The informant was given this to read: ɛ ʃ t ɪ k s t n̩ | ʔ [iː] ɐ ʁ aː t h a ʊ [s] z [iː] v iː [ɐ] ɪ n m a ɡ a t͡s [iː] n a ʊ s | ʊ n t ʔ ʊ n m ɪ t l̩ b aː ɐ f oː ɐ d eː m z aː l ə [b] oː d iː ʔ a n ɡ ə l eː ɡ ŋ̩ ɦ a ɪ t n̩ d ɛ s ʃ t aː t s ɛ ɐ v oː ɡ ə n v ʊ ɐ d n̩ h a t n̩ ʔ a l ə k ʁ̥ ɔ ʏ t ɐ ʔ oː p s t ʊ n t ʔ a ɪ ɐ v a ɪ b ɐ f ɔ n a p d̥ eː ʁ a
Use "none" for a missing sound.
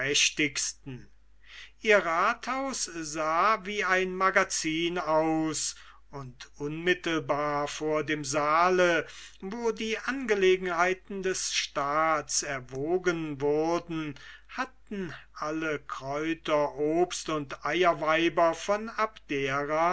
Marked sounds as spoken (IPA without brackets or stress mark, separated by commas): iː, s, aː, a, iː, v